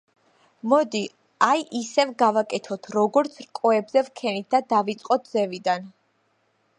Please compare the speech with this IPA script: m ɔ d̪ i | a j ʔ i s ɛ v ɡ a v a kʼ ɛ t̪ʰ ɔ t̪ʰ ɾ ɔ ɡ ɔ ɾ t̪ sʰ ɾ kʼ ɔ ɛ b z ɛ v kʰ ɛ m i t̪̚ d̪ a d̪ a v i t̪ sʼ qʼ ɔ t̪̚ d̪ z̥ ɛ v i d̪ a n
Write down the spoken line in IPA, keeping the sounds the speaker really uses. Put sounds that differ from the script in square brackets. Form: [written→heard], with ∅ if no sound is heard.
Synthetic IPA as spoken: m ɔ d̪ i | a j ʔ i s ɛ v ɡ a v a kʼ ɛ t̪ʰ ɔ t̪ʰ ɾ ɔ ɡ ɔ ɾ t̪ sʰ ɾ kʼ ɔ ɛ b z ɛ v kʰ ɛ [m→n] i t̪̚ d̪ a d̪ a v i t̪ sʼ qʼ ɔ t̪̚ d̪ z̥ ɛ v i d̪ a n